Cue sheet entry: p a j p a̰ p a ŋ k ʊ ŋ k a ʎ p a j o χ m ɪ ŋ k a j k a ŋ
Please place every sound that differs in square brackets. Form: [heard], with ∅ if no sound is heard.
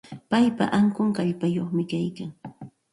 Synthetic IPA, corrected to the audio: p a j p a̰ [ʔ] a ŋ k ʊ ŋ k a ʎ p a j o χ m ɪ [∅] k a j k a ŋ